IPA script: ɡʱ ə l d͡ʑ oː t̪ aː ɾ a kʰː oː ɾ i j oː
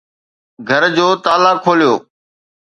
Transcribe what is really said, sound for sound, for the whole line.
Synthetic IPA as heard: ɡʱ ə ɾ d͡ʑ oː t̪ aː l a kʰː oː l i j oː